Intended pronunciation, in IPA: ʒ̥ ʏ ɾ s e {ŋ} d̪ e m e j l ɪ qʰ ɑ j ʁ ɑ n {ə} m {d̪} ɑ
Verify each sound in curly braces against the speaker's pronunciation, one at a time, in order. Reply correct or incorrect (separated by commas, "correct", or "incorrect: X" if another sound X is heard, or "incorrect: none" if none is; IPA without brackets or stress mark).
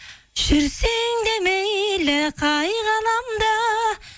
correct, incorrect: ɑ, correct